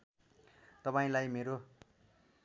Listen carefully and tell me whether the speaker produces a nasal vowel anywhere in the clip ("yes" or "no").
yes